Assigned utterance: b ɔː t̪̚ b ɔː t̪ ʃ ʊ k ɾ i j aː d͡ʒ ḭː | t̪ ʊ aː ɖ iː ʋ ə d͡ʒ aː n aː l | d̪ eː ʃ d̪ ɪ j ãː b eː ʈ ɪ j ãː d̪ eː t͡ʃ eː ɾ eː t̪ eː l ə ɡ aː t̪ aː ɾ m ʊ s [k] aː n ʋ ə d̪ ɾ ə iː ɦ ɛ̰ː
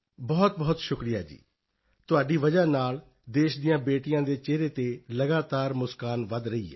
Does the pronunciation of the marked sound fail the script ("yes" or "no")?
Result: no